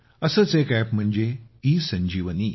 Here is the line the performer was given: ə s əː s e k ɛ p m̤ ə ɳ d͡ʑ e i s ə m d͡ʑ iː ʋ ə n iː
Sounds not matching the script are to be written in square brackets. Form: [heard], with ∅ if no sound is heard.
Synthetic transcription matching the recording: ə s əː [t͡s] e k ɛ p m̤ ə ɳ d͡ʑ e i s ə [ɲ] d͡ʑ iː ʋ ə n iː

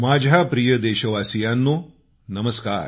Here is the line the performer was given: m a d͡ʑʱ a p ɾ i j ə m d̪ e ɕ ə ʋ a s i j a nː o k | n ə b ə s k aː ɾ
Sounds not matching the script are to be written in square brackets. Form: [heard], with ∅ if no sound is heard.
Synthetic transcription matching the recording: m a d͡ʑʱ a p ɾ i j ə [∅] d̪ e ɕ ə ʋ a s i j a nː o [∅] | n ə [m] ə s k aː ɾ

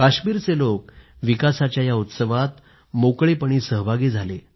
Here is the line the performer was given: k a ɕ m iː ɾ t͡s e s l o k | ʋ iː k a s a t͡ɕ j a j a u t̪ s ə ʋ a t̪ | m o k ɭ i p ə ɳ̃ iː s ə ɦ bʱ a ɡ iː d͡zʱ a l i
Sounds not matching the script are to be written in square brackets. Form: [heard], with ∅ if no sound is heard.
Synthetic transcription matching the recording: k a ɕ m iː ɾ t͡s e [∅] l o k | ʋ [i] k a s a t͡ɕ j a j a u t̪ s ə ʋ a t̪ | m o k ɭ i p ə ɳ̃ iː s ə ɦ bʱ a ɡ iː d͡zʱ a l [e]

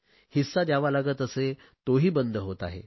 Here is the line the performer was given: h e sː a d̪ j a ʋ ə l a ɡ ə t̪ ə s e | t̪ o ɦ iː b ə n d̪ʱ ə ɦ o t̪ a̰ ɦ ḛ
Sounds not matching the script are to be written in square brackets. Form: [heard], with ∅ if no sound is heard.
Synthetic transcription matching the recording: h [i] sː a d̪ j a ʋ [a] l a ɡ ə t̪ ə s e | t̪ o ɦ iː b ə n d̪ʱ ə ɦ o t̪ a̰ ɦ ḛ

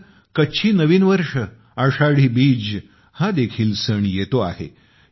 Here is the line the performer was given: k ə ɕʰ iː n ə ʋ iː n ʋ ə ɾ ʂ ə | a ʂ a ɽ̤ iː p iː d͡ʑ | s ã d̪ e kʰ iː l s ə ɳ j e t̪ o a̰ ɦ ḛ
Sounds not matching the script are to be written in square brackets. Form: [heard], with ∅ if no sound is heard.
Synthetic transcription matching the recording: k ə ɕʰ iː n ə ʋ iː n ʋ ə ɾ ʂ ə | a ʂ a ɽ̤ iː [b] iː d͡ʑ | [h] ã d̪ e kʰ iː l s ə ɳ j e t̪ o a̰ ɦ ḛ

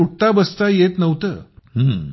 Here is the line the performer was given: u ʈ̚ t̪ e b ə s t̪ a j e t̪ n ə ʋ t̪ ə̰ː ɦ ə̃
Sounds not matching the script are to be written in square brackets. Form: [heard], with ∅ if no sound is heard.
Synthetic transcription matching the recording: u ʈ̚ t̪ [a] b ə s t̪ a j e t̪ n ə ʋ t̪ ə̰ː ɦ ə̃

